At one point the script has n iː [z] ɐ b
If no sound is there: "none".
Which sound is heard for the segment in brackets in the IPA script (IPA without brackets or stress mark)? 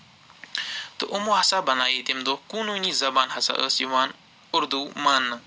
z